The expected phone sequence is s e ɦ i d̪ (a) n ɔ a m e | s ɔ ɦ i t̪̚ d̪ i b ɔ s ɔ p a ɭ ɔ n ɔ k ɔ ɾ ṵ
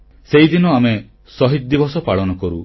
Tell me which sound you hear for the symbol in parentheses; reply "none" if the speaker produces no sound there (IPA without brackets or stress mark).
i